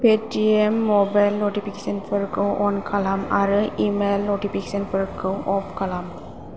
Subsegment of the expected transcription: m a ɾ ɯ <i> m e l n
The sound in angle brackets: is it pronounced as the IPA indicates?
yes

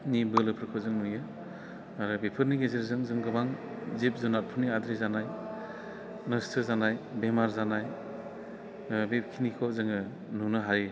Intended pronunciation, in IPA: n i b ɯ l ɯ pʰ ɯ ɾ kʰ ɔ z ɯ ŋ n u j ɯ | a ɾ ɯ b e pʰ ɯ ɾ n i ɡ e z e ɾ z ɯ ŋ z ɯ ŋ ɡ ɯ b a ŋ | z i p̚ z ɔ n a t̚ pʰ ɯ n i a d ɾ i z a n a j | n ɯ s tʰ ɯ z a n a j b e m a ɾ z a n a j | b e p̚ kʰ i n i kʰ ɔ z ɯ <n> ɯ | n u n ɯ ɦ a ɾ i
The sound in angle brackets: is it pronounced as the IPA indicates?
no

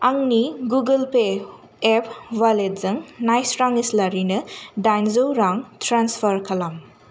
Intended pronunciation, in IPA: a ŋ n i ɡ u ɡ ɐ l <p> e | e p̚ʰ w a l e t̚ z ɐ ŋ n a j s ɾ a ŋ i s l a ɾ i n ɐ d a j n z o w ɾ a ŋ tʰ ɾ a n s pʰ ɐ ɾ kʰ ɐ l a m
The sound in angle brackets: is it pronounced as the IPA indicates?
yes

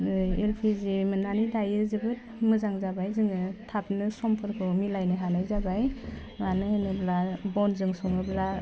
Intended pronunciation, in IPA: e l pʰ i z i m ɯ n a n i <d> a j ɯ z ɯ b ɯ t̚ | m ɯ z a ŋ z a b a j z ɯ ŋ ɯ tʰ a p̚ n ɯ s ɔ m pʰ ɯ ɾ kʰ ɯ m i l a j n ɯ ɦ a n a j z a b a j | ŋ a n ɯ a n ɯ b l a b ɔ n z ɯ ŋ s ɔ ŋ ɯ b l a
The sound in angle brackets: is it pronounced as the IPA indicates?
yes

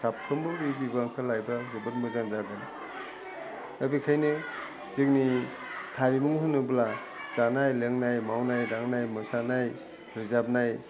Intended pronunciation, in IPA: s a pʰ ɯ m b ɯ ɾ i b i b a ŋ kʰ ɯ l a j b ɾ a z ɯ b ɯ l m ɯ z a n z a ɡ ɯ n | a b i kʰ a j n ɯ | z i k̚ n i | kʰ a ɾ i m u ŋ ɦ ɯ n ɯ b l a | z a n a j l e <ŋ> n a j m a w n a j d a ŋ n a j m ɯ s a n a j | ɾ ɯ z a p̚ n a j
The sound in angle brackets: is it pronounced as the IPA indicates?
yes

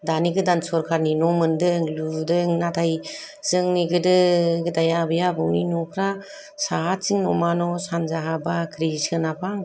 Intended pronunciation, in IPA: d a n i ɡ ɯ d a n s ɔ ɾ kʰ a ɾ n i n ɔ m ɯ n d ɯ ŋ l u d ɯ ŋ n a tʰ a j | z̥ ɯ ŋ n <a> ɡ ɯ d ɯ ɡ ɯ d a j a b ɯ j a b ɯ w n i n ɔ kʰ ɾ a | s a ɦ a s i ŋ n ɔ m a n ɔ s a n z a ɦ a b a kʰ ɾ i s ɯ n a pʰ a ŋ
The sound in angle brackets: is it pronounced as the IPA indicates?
no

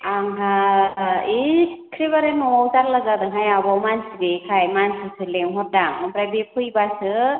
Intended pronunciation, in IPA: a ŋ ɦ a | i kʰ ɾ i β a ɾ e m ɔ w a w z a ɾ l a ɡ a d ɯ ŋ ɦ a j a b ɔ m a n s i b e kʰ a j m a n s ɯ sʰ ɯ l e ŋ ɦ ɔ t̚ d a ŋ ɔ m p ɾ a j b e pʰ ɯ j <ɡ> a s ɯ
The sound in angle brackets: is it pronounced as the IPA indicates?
no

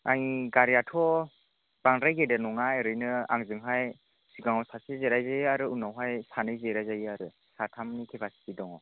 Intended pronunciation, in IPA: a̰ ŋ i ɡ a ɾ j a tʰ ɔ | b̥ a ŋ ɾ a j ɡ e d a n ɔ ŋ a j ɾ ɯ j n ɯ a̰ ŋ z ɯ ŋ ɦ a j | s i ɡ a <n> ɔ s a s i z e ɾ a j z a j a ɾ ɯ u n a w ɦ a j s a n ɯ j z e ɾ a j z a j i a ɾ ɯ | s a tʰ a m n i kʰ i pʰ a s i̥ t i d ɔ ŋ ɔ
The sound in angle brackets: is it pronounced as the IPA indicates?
no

